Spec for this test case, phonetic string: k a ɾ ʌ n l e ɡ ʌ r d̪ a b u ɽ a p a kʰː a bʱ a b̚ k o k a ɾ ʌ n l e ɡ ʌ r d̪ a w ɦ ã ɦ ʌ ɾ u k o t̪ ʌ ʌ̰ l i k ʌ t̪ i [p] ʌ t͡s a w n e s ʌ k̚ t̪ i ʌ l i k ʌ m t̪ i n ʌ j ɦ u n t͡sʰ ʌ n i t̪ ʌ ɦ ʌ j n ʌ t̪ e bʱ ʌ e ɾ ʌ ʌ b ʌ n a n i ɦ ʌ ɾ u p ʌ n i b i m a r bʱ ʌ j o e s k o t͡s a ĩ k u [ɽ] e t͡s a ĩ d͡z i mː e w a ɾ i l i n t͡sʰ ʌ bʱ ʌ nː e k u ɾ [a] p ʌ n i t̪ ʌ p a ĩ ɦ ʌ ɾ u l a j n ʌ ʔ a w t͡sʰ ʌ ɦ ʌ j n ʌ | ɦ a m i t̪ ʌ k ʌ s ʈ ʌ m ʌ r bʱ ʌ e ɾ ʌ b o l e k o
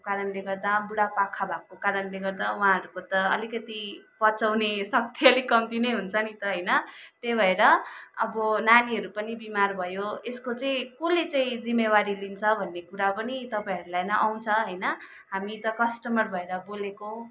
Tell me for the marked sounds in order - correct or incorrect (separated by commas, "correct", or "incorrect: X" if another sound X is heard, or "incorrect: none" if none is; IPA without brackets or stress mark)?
correct, incorrect: l, correct